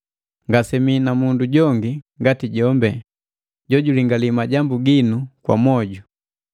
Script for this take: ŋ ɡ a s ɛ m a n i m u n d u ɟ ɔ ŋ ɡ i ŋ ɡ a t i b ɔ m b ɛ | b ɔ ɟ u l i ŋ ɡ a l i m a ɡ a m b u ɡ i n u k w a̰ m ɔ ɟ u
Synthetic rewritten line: ŋ ɡ a s ɛ m i n a m u n d u ɟ ɔ ŋ ɡ i ŋ ɡ a t i ɟ ɔ m b ɛ | ɟ ɔ ɟ u l i ŋ ɡ a l i m a ɟ a m b u ɡ i n u k w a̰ m ɔ ɟ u